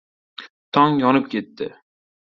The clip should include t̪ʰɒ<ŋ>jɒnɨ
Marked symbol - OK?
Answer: yes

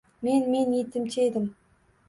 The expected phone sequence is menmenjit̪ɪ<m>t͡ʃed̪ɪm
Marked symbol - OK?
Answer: yes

